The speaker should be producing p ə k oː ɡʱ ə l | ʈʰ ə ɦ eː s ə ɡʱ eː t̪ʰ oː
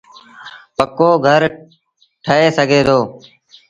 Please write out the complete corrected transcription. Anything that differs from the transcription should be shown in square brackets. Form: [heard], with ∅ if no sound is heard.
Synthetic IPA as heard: p ə k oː ɡʱ ə [ɾ] | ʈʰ ə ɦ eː s ə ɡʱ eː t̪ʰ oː